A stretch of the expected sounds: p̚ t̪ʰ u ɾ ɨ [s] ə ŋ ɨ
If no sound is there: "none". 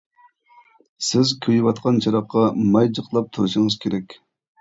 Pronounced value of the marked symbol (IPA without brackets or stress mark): ʃ